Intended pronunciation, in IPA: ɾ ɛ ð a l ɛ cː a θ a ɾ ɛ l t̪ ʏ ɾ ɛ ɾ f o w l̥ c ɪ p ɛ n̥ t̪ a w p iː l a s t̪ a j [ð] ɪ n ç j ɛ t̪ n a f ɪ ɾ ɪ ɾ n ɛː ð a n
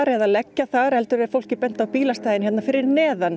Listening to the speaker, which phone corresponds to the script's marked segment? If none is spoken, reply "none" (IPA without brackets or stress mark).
ð